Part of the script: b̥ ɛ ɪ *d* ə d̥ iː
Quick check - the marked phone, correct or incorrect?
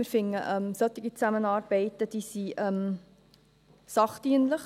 incorrect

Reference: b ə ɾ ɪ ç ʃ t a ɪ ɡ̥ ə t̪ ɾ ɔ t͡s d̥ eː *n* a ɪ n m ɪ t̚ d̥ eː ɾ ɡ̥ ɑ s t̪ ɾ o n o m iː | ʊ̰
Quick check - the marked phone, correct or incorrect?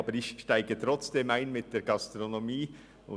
incorrect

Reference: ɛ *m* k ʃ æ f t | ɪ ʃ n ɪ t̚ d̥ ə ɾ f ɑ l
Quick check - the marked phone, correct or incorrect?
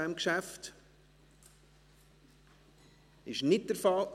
correct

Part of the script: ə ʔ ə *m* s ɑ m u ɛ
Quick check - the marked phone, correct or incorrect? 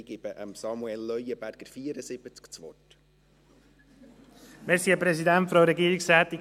correct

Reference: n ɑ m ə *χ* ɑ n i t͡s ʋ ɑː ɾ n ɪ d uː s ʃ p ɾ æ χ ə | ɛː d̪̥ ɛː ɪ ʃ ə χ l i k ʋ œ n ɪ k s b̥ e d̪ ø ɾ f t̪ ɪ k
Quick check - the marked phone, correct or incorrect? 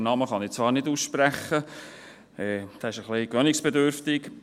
correct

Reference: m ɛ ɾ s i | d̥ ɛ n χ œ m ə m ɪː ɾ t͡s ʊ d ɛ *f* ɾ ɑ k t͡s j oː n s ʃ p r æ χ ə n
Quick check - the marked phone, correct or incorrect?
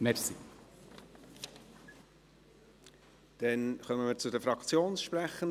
correct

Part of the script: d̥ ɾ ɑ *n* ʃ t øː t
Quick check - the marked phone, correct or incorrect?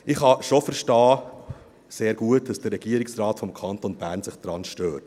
correct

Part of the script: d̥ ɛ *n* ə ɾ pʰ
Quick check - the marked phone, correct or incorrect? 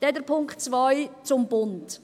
incorrect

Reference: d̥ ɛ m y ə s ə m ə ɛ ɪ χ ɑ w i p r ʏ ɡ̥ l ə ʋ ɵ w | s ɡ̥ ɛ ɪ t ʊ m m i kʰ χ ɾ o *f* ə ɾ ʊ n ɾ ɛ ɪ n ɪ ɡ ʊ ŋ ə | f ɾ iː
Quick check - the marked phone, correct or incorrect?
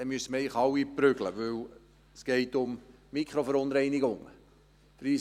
correct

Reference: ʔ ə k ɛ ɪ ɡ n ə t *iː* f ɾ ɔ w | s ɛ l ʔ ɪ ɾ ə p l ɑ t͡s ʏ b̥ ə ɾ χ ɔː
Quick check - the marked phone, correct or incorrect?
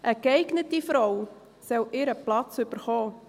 incorrect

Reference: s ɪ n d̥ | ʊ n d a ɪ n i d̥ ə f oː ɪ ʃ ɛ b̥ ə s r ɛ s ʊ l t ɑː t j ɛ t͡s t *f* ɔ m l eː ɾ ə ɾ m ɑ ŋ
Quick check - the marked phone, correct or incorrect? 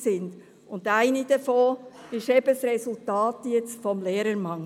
correct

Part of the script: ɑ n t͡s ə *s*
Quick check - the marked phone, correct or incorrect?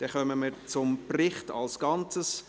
correct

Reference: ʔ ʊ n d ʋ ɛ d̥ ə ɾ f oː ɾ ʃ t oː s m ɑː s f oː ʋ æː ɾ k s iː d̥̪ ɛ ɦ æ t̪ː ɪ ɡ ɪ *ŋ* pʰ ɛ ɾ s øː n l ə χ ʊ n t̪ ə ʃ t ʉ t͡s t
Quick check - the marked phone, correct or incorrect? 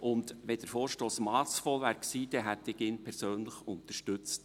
incorrect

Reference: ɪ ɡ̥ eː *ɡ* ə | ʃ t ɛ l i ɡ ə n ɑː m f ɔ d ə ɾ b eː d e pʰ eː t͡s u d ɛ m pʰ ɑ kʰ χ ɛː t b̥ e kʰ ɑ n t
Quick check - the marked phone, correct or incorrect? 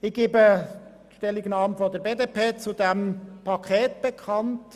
incorrect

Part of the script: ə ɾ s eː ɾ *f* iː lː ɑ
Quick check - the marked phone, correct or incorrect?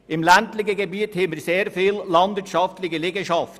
correct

